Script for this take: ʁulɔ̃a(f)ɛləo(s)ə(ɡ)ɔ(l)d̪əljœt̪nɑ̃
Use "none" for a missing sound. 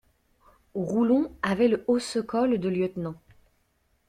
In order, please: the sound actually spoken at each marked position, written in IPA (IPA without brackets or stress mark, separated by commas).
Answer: v, s, k, l